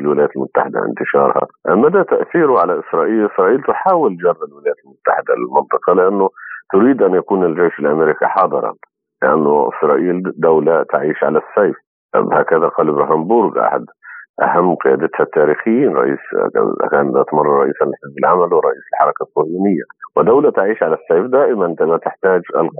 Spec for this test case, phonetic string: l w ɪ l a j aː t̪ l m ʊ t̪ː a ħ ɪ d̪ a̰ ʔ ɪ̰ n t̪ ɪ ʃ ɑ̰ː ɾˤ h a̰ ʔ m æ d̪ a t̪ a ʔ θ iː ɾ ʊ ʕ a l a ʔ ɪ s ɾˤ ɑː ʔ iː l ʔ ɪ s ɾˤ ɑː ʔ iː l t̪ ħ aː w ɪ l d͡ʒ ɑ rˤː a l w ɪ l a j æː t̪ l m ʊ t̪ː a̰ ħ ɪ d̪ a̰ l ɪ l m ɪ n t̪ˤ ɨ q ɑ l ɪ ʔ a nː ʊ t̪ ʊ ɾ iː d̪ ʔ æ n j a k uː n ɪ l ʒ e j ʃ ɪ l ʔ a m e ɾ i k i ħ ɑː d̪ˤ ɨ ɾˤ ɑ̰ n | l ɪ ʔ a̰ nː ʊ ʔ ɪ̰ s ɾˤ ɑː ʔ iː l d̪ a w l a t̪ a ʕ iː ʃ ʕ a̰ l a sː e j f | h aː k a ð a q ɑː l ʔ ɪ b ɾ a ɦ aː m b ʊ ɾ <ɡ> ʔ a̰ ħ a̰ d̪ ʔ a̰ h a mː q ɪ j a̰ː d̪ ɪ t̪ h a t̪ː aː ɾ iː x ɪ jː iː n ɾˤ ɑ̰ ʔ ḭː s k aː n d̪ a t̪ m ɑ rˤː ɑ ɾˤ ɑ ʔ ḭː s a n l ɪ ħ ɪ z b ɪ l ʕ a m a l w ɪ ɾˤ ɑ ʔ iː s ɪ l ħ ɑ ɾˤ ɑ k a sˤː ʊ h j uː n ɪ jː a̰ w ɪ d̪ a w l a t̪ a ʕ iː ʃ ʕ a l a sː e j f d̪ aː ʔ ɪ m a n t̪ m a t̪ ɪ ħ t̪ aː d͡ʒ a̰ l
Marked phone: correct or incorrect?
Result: correct